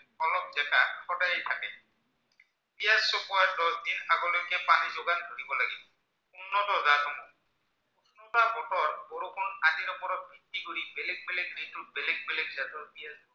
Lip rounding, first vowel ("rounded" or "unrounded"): rounded